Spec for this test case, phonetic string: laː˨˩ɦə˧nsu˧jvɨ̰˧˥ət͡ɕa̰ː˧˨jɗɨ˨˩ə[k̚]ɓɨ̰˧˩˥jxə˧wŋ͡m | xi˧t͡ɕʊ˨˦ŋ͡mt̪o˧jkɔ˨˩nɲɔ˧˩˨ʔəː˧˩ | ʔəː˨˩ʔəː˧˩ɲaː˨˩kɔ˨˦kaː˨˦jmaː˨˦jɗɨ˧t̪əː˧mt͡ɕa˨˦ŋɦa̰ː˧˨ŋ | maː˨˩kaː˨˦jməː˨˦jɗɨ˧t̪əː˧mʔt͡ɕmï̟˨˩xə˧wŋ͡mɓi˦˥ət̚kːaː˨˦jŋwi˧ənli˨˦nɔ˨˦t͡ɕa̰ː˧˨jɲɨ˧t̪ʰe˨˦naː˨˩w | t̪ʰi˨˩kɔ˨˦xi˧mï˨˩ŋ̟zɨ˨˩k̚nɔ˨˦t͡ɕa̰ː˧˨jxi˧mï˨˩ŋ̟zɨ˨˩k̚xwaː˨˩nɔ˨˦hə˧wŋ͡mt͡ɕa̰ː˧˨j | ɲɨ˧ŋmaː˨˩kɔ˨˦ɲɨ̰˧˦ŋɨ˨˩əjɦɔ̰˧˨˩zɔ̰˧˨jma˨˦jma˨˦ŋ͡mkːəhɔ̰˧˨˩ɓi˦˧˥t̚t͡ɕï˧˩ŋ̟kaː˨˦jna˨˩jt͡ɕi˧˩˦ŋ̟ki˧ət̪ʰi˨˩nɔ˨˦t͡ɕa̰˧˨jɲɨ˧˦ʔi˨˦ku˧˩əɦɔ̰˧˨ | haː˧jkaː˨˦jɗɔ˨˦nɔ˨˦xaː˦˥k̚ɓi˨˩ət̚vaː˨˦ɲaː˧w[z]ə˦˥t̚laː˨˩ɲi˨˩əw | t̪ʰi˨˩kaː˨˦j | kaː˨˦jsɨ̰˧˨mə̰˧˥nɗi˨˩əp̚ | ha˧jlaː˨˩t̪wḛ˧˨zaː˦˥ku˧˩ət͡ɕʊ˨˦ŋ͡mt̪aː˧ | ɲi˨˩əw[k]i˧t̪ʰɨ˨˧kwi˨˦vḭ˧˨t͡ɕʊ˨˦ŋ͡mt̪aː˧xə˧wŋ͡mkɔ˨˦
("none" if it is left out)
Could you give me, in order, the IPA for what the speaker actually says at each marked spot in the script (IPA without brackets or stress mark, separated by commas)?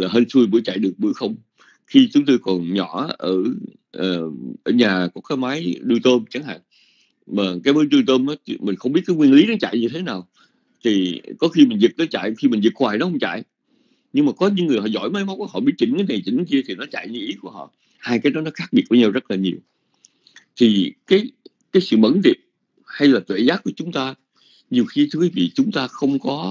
k̚, z, x